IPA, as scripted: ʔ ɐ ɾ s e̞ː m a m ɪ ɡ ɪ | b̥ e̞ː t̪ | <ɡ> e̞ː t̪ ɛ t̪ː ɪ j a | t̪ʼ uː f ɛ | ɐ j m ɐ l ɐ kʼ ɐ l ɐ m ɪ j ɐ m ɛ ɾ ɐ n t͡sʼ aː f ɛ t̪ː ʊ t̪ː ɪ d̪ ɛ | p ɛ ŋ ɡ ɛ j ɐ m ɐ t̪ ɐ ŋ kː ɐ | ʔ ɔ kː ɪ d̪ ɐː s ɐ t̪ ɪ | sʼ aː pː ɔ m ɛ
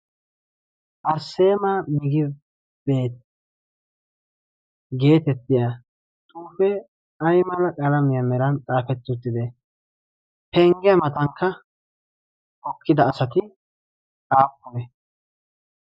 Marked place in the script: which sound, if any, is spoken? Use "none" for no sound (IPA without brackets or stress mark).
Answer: ɡ